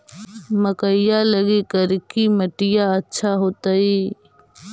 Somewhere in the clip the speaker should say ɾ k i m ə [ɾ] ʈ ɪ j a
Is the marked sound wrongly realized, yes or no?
yes